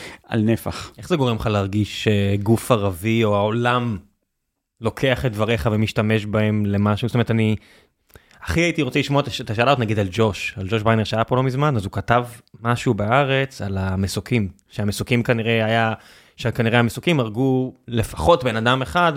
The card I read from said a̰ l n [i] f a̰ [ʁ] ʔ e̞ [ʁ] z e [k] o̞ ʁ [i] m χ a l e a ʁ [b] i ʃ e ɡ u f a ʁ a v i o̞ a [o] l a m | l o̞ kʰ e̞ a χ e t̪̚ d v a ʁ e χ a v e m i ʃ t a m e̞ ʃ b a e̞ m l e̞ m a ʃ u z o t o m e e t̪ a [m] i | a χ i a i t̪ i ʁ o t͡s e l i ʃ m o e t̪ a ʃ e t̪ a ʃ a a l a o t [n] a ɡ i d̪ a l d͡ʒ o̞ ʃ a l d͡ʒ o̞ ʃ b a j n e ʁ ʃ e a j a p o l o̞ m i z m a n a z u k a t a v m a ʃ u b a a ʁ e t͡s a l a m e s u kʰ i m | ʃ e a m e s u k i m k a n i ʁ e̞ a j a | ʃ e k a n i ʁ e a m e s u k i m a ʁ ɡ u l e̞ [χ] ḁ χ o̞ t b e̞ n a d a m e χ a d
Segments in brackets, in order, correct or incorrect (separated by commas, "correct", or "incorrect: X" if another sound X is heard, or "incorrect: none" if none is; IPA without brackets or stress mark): incorrect: e, incorrect: χ, incorrect: χ, incorrect: ɡ, incorrect: e, incorrect: ɡ, correct, incorrect: n, correct, incorrect: f